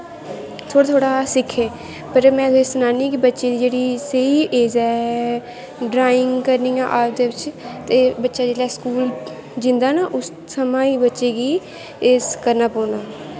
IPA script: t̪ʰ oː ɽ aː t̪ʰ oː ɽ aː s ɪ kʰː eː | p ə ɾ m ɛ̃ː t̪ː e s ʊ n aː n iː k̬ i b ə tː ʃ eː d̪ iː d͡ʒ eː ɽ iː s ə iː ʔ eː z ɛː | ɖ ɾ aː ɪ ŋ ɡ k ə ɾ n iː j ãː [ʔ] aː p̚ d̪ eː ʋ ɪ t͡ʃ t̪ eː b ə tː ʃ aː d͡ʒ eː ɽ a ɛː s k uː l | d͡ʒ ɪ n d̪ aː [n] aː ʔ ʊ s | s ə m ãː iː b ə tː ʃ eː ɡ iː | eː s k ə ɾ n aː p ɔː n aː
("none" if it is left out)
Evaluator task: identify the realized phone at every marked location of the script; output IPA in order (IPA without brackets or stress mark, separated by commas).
ʔ, n